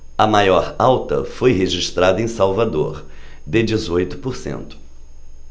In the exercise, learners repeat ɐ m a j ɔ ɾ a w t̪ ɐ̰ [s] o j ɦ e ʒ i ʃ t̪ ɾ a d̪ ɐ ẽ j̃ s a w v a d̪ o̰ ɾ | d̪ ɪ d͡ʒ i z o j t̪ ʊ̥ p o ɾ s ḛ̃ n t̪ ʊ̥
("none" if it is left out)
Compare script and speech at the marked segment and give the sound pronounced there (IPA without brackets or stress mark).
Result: f